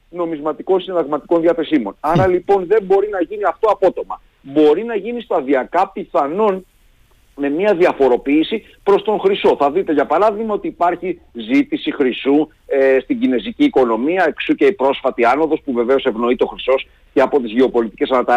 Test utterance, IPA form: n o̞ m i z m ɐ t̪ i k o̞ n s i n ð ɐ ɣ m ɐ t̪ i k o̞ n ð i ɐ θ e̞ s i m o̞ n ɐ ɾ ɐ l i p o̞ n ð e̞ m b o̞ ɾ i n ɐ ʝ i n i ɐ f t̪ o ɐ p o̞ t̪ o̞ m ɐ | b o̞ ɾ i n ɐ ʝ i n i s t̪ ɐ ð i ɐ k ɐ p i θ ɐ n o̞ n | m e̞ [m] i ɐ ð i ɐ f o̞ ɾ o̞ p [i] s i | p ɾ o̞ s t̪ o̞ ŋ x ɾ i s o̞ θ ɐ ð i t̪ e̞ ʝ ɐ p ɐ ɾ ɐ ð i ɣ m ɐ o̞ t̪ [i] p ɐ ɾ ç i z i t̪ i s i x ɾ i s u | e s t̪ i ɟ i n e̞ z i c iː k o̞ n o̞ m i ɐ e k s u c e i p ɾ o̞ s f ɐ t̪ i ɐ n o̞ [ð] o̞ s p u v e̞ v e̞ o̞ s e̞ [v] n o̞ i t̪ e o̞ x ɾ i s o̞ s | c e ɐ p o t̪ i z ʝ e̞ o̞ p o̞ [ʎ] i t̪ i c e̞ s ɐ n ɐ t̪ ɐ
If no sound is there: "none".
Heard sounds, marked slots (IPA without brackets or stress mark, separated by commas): m, iː, iː, ð, v, l